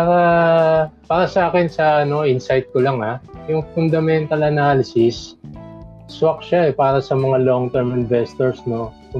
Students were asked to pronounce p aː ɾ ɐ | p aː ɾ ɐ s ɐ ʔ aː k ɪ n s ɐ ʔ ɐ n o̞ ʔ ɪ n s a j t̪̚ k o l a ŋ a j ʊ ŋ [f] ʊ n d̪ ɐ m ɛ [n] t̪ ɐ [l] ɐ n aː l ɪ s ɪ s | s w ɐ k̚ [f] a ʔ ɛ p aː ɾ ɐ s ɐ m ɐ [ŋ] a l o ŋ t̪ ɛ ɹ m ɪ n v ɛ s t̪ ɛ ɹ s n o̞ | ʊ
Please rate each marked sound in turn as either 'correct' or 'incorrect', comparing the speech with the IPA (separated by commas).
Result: correct, correct, correct, incorrect, correct